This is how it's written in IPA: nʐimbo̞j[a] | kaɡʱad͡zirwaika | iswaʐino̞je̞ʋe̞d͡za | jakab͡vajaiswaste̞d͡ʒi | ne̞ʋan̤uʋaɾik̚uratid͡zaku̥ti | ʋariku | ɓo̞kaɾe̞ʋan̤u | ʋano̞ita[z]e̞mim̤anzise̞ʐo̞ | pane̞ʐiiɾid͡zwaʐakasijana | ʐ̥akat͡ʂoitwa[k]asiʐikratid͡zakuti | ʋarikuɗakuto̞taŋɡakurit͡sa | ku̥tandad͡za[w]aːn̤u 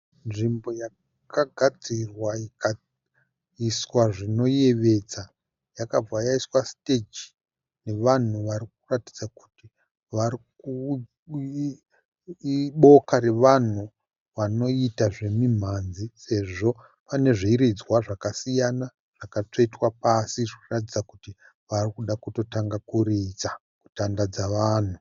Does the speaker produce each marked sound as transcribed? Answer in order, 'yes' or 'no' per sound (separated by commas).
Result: yes, no, no, no